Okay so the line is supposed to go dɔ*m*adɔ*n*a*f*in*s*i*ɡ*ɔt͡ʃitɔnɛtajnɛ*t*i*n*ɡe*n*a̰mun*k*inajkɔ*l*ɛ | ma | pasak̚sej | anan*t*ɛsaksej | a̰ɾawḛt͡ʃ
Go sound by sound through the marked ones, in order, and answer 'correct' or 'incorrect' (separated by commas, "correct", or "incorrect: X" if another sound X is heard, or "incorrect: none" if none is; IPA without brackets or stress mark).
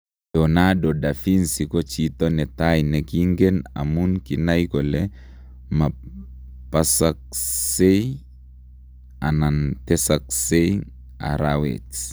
incorrect: n, incorrect: d, correct, correct, incorrect: k, incorrect: k, incorrect: ŋ, correct, correct, correct, correct